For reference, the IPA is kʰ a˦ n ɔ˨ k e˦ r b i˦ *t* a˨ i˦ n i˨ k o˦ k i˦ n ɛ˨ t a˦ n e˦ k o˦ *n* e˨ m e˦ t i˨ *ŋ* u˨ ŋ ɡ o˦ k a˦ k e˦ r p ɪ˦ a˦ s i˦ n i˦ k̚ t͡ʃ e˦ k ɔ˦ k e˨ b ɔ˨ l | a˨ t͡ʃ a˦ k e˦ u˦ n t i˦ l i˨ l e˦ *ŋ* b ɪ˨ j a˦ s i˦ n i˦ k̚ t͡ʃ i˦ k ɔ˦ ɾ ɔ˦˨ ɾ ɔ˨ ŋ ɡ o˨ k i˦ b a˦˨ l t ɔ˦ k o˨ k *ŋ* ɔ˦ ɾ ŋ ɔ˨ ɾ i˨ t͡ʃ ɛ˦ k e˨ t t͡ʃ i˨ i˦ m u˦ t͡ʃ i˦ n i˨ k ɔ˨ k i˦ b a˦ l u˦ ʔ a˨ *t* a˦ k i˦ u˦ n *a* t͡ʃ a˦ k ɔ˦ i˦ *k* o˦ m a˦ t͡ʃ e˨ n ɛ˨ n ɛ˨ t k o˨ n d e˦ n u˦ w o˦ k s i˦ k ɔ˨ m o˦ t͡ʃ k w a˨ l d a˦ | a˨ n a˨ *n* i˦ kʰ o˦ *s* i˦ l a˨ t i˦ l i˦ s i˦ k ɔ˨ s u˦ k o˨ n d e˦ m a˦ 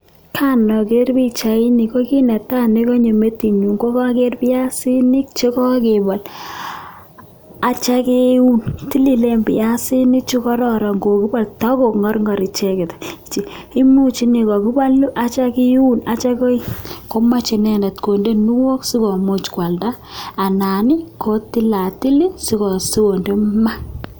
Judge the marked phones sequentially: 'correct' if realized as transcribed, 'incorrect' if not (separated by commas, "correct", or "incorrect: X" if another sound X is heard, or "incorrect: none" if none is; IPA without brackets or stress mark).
incorrect: t͡ʃ, incorrect: ɲ, incorrect: ɲ, incorrect: m, correct, incorrect: t͡ʃ, correct, correct, correct, incorrect: t